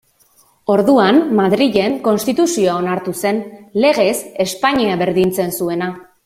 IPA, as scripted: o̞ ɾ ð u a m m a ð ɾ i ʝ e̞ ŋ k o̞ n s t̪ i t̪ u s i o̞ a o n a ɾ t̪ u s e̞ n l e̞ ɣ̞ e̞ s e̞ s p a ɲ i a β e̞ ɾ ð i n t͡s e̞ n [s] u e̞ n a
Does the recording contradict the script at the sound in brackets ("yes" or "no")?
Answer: no